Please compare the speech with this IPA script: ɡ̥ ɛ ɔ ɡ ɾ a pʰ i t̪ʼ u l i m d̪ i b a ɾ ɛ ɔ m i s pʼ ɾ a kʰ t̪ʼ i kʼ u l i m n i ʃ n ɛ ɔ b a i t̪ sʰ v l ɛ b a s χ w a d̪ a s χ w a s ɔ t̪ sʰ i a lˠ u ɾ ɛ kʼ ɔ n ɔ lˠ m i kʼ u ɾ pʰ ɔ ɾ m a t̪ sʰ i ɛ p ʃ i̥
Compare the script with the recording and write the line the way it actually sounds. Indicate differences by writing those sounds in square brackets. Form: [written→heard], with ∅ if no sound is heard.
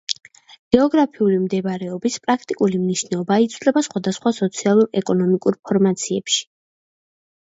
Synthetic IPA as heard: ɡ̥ ɛ ɔ ɡ ɾ a pʰ i [t̪ʼ→∅] u l i m d̪ [i→ɛ] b a ɾ ɛ ɔ [m→b] i s pʼ ɾ a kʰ t̪ʼ i kʼ u l i m n i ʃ n ɛ ɔ b a i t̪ sʰ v l ɛ b a s χ w a d̪ a s χ w a s ɔ t̪ sʰ i a lˠ u ɾ ɛ kʼ ɔ n ɔ [lˠ→∅] m i kʼ u ɾ pʰ ɔ ɾ m a t̪ sʰ i ɛ p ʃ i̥